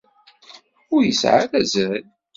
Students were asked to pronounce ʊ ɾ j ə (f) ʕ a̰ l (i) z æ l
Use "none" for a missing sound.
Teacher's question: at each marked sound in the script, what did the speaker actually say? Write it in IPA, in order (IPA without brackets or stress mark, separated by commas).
s, æ